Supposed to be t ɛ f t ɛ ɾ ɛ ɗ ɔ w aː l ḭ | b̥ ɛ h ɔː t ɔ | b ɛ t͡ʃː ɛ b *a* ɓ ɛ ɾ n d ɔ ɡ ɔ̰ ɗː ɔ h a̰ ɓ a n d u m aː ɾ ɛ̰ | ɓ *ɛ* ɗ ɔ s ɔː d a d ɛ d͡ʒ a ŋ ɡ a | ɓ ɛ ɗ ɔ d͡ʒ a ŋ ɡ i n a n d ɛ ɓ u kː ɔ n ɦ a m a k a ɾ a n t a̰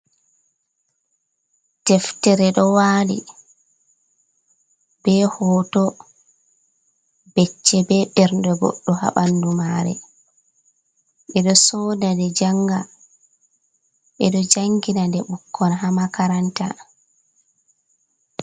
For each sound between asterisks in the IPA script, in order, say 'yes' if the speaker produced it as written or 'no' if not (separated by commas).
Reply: no, yes